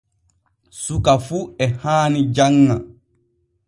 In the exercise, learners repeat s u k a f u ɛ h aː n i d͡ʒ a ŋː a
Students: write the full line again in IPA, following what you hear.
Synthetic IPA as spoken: s u k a f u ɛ h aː n i d͡ʒ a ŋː a